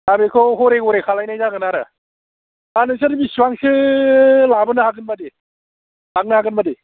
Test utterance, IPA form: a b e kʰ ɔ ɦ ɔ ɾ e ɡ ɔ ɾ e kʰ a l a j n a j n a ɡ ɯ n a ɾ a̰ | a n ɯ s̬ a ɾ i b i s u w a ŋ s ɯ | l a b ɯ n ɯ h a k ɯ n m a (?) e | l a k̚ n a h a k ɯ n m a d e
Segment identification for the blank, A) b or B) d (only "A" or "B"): B